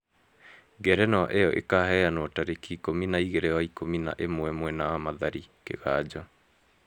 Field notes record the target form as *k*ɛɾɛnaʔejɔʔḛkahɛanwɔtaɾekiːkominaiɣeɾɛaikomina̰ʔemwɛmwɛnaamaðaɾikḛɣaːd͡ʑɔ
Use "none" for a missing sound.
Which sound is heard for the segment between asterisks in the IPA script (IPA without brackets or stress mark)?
ɡ